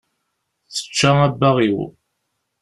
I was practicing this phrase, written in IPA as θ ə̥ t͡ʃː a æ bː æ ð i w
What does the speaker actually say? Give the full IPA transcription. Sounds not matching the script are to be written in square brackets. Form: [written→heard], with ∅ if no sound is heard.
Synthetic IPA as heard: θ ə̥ t͡ʃː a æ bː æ [ð→ʁ] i w